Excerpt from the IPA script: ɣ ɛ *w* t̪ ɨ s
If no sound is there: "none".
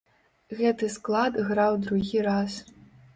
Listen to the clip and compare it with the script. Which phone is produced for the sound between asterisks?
none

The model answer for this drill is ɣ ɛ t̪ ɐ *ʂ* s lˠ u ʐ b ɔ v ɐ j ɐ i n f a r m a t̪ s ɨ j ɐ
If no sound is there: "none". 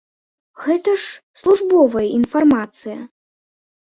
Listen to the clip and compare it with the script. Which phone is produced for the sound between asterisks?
ʂ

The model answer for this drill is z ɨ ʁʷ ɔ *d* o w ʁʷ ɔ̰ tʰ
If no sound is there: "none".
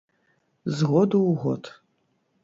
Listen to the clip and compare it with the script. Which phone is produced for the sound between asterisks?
d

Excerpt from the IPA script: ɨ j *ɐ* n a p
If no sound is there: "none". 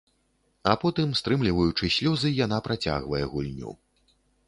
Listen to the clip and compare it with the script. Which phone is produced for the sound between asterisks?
a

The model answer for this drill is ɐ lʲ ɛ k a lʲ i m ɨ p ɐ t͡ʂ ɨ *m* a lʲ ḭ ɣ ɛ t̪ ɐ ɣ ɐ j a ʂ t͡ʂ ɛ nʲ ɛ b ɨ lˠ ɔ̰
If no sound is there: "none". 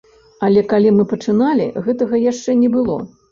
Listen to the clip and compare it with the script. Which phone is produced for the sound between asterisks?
n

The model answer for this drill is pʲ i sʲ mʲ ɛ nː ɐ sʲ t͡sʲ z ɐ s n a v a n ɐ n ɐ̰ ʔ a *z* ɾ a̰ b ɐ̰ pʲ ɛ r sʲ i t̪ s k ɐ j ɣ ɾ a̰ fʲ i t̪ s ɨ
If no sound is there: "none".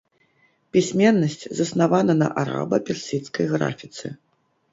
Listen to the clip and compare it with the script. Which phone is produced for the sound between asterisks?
none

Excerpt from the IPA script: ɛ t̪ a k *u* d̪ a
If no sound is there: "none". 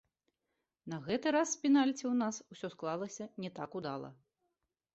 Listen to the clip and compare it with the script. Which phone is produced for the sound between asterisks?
u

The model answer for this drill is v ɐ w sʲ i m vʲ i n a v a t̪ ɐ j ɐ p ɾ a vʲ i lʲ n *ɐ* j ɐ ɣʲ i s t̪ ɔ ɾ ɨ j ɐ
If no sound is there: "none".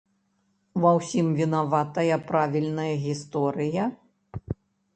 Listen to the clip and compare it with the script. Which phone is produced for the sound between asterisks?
ɐ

